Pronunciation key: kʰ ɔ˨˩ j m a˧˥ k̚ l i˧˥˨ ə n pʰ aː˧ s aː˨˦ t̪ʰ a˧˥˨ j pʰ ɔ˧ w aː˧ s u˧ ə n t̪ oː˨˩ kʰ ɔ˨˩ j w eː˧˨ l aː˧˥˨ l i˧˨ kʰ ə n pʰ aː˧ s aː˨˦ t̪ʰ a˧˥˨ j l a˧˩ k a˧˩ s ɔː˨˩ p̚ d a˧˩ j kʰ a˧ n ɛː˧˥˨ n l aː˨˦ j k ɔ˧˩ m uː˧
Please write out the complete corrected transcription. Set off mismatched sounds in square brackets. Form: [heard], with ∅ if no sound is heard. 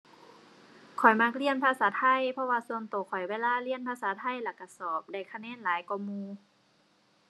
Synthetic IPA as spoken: kʰ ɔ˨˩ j m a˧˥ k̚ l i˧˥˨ ə n pʰ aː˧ s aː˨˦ t̪ʰ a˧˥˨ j pʰ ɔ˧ w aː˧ s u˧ ə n t̪ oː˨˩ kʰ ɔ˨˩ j w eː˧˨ l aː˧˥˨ l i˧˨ [∅] ə n pʰ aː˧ s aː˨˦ t̪ʰ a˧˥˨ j l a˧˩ k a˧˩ s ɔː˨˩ p̚ d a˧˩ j kʰ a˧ n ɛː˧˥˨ n l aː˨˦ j k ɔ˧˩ m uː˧